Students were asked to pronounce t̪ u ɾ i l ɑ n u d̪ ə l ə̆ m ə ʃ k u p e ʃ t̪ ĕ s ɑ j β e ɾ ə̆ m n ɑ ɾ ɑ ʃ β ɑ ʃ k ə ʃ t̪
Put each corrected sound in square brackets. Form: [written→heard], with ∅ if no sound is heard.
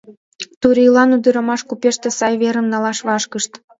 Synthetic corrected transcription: t̪ u ɾ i l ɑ n u d̪ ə [l→ɾ] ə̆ m [ə→ɑ] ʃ k u p e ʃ t̪ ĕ s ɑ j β e ɾ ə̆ m n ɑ [ɾ→l] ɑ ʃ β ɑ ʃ k ə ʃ t̪